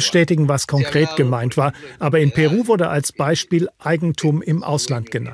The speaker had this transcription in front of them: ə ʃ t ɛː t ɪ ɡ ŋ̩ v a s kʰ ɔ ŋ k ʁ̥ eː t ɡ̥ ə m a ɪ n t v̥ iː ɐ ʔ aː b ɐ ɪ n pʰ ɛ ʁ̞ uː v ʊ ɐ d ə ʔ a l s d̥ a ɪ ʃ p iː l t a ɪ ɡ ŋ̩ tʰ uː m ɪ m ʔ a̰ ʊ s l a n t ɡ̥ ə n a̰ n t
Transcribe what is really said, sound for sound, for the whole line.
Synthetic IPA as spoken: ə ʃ t ɛː t ɪ ɡ ŋ̩ v a s kʰ ɔ ŋ k ʁ̥ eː t ɡ̥ ə m a ɪ n t v̥ aː ɐ ʔ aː b ɐ ɪ n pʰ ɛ ʁ̞ uː v ʊ ɐ d ə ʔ a l s b̥ a ɪ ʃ p iː l ʔ a ɪ ɡ ŋ̩ tʰ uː m ɪ m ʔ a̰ ʊ s l a n t ɡ̥ ə n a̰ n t